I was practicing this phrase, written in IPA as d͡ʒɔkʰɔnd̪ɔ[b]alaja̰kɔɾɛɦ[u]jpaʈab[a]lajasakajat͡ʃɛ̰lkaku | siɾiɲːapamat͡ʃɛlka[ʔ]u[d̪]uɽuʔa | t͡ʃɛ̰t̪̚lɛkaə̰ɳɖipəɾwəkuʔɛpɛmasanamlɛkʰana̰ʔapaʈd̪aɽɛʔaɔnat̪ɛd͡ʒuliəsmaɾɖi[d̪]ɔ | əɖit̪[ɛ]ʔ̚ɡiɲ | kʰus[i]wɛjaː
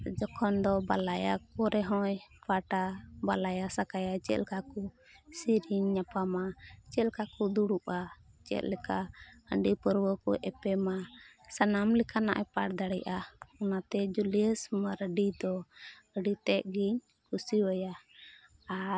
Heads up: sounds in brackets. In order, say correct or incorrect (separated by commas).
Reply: correct, incorrect, correct, incorrect, correct, correct, correct, correct